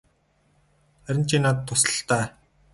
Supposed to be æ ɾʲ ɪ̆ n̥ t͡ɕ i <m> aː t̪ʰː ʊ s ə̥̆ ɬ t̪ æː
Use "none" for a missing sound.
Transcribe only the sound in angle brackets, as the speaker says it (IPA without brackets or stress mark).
n